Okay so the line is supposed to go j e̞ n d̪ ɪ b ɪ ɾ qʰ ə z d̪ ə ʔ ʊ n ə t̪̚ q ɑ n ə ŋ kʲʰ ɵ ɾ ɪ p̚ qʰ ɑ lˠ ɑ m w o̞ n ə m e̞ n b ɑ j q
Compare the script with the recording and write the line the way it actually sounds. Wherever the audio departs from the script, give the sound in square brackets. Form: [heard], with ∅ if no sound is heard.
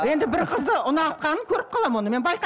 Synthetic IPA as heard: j e̞ n d̪ ɪ b ɪ ɾ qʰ ə z d̪ ə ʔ ʊ n [ɑ] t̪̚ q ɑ n ə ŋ kʲʰ ɵ ɾ ɪ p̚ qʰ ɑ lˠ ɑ m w o̞ n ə m e̞ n b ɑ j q